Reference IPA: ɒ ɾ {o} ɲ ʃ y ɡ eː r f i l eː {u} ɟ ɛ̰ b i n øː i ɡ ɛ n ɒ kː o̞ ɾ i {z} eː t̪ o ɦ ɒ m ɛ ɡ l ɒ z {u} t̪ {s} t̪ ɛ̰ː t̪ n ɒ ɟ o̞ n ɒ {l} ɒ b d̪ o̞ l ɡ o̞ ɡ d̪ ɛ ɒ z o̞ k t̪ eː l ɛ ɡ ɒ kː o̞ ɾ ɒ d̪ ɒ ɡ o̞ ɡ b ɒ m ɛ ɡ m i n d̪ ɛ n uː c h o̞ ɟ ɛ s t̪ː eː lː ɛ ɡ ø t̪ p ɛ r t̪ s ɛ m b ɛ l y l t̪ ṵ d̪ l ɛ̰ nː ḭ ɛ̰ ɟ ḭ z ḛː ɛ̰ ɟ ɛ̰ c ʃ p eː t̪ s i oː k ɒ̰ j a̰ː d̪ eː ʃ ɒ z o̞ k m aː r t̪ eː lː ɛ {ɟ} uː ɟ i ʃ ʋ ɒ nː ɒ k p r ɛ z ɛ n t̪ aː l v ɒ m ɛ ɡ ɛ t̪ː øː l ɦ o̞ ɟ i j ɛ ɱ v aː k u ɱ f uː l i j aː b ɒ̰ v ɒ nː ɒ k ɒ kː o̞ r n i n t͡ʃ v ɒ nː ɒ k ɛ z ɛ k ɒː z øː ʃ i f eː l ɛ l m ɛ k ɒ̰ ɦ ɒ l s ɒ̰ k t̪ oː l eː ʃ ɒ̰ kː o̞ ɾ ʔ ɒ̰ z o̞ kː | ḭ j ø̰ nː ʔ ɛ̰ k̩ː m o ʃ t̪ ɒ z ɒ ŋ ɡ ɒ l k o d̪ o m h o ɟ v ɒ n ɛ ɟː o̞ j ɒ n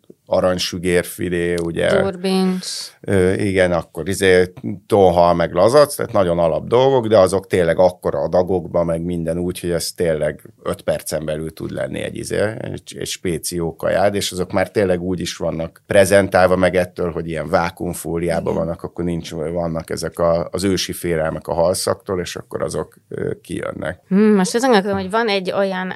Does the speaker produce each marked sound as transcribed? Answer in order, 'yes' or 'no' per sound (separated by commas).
no, yes, yes, no, yes, yes, no